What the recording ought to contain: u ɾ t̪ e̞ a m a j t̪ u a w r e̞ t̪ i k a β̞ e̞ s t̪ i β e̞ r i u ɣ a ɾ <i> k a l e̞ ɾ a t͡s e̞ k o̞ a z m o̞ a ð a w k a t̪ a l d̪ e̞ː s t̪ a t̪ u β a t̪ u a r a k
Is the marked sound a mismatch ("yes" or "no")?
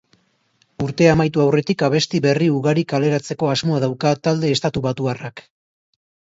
no